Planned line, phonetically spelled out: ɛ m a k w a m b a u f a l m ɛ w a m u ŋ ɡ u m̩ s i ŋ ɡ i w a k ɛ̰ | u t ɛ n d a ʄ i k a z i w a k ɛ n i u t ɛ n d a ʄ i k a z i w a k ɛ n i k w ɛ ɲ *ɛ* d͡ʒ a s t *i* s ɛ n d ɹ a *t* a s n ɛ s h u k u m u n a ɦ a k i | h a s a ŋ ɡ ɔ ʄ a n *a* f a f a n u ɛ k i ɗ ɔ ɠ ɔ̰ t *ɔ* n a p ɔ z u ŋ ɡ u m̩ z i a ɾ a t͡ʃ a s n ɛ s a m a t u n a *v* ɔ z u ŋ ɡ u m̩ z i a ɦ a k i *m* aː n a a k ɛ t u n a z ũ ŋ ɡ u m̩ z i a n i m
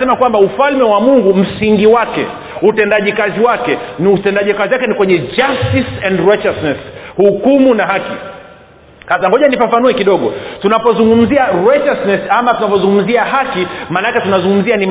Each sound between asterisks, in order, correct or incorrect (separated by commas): correct, correct, incorrect, incorrect, incorrect, correct, correct